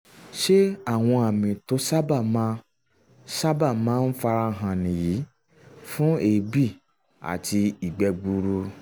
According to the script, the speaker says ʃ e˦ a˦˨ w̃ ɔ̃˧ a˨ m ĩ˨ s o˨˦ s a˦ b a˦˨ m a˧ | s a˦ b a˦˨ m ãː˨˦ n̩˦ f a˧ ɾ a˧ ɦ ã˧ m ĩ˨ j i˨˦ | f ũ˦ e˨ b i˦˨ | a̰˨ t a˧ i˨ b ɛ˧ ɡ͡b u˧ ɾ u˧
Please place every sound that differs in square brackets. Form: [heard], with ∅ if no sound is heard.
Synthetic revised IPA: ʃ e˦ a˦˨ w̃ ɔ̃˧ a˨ m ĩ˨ [t] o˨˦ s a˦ b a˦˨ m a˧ | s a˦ b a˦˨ m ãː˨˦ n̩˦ f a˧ ɾ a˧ ɦ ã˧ [n] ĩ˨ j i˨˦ | f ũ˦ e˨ b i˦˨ | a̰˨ t [i˧] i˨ [ɡ͡b] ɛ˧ ɡ͡b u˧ ɾ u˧